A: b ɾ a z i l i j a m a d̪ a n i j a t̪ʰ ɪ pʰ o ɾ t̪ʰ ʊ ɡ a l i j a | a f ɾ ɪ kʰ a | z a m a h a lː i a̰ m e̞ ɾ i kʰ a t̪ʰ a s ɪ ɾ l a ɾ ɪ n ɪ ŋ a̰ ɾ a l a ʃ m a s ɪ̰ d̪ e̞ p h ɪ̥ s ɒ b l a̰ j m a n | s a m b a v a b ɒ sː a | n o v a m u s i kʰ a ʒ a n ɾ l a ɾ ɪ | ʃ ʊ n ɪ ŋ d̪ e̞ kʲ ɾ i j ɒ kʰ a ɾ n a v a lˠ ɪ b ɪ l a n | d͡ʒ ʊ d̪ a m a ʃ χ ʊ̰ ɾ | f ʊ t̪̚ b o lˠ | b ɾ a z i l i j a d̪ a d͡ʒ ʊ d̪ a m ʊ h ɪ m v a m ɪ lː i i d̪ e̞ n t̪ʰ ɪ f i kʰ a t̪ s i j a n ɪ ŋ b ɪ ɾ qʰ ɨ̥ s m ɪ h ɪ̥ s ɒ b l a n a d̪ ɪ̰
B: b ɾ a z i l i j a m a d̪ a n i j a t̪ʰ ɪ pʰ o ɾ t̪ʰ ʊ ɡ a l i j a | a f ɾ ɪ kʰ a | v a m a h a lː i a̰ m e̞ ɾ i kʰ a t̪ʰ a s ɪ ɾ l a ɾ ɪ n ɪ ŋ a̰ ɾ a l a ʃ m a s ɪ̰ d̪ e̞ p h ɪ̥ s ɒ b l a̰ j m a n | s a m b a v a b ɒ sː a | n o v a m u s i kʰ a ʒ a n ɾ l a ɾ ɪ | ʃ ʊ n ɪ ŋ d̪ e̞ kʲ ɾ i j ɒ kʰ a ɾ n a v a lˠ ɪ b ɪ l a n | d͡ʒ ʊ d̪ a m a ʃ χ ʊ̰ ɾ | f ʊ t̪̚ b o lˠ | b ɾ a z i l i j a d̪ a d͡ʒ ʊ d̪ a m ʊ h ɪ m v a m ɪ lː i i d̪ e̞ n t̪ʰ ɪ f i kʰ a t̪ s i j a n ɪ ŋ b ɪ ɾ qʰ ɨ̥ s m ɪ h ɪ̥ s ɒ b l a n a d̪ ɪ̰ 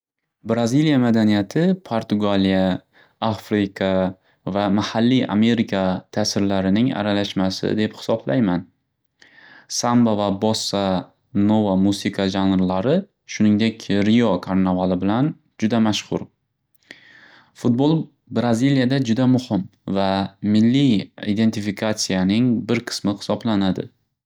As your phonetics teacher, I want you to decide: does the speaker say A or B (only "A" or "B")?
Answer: B